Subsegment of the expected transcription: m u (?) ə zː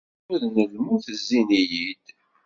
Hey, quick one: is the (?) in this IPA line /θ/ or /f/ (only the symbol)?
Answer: θ